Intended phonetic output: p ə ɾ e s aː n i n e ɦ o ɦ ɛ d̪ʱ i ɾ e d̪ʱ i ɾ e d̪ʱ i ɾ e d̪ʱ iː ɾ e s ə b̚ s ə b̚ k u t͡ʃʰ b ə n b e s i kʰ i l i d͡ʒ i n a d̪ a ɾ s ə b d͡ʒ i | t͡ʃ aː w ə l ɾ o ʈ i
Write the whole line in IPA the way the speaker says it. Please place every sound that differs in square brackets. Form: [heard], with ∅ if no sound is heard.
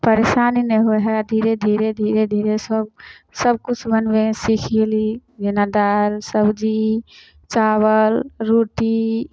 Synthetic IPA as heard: p ə ɾ e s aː n i n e ɦ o ɦ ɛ d̪ʱ i ɾ e d̪ʱ i ɾ e d̪ʱ i ɾ e d̪ʱ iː ɾ e s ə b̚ s ə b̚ k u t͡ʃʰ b ə n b e s i kʰ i l i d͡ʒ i n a d̪ a ɾ s ə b d͡ʒ i | t͡ʃ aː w ə l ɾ o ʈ i

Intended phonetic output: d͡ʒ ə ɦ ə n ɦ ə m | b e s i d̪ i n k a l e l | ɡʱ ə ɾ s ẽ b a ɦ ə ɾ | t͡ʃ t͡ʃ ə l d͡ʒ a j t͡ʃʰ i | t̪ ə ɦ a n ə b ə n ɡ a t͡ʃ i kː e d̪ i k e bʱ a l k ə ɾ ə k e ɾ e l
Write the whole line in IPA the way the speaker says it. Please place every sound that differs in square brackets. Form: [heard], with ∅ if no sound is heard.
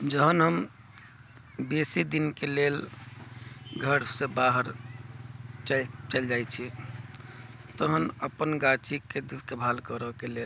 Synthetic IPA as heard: d͡ʒ ə ɦ ə n ɦ ə m | b e s i d̪ i n k [e] l e l | ɡʱ ə ɾ s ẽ b a ɦ ə ɾ | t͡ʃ t͡ʃ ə l d͡ʒ a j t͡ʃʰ i | t̪ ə ɦ [ə] n ə [p] ə n ɡ a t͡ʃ i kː e d̪ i k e bʱ a l k ə ɾ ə k e [l] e l

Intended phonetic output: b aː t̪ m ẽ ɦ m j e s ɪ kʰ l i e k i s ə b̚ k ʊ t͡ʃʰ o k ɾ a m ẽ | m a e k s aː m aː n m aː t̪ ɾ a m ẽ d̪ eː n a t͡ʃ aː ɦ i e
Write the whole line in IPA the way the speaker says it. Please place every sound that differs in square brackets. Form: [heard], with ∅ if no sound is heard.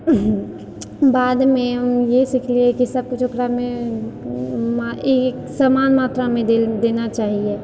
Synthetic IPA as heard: b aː [d̪] m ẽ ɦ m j e s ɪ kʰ l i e k i s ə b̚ k ʊ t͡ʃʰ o k ɾ a m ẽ | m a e k s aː m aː n m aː t̪ ɾ a m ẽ d̪ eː n a t͡ʃ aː ɦ i e

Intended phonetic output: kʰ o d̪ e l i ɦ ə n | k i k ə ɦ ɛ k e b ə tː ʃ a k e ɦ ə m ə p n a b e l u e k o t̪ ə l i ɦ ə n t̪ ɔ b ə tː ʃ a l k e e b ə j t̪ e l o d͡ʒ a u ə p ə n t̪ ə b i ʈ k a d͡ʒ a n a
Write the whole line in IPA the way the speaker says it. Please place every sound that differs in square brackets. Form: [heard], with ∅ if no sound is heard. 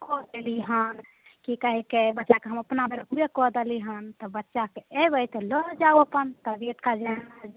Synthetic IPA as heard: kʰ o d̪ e l i ɦ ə n | k i k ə ɦ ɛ k e b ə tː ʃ a k e ɦ ə m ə p n a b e [ɾ] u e k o [d̪] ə l i ɦ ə n t̪ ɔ b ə tː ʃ a [∅] k e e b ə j t̪ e l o d͡ʒ a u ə p ə n t̪ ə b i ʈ k a d͡ʒ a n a

